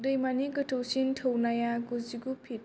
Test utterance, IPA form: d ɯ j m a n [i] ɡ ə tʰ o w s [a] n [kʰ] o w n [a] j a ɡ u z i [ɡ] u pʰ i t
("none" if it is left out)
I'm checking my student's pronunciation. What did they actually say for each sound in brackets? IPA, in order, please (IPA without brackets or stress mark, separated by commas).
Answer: i, i, tʰ, a, ɡ